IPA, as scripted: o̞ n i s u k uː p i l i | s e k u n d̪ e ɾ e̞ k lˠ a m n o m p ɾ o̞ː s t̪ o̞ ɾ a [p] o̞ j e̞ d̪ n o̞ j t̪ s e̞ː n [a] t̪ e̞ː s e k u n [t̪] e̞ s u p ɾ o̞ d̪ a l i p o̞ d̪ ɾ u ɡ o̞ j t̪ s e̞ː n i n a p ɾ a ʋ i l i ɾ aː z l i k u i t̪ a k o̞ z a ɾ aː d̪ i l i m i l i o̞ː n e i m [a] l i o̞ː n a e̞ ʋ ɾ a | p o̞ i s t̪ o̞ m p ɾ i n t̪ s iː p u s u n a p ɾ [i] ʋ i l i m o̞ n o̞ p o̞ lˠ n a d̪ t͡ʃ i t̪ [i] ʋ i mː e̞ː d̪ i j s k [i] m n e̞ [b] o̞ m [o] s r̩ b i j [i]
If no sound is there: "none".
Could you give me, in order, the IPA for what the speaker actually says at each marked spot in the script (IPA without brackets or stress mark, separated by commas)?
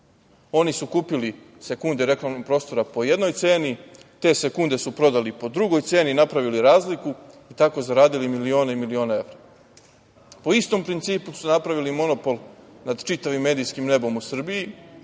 p, i, d̪, i, a, a, i, b, u, i